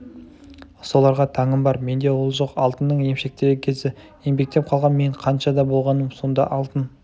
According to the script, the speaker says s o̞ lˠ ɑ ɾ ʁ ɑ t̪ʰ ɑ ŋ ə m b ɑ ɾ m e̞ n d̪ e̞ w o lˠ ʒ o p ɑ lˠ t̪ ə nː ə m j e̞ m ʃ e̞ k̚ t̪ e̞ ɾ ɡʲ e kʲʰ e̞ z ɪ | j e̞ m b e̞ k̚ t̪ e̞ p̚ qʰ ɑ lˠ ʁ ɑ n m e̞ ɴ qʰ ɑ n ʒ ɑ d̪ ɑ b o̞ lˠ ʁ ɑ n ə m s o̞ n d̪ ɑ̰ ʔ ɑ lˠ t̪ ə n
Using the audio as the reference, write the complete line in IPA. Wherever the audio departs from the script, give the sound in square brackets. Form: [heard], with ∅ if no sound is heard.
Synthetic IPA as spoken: s o̞ lˠ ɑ ɾ ʁ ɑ t̪ʰ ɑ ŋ ə m b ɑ ɾ m e̞ n d̪ e̞ w o lˠ ʒ o [q] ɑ lˠ t̪ ə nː ə [ɴ] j e̞ m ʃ e̞ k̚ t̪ e̞ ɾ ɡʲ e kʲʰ e̞ z ɪ | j e̞ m b e̞ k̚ t̪ e̞ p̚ qʰ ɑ lˠ ʁ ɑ n m e̞ ɴ qʰ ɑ n [ʃ] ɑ d̪ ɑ b o̞ lˠ ʁ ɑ n ə m s o̞ n d̪ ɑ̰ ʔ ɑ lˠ t̪ ə n